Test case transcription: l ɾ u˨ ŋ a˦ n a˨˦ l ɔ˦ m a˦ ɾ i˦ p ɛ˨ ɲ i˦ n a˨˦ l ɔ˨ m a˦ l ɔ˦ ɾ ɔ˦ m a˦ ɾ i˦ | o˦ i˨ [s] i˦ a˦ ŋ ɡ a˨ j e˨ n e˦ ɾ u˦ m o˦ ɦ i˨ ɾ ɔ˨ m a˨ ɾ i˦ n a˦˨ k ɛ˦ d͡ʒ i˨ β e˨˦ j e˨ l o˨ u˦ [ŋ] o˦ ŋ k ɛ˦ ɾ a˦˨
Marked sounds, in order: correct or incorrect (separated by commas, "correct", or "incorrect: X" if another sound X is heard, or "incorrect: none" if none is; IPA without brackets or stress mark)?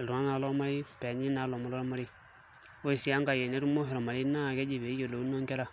correct, incorrect: n